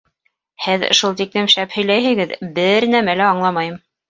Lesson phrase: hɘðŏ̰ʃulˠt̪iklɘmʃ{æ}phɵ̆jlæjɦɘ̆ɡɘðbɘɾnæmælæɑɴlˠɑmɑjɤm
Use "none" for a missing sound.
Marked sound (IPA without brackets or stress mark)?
æ